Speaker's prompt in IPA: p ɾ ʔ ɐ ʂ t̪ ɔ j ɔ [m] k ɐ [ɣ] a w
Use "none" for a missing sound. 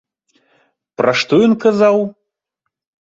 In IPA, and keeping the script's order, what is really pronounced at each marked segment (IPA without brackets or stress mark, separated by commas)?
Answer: n, z